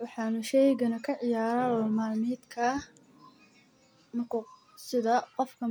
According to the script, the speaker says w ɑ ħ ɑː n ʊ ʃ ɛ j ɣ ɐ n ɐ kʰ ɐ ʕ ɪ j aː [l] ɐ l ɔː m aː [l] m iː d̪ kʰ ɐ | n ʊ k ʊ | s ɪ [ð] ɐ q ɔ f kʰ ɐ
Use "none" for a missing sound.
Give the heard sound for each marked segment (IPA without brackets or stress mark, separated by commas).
ɾ, l, ð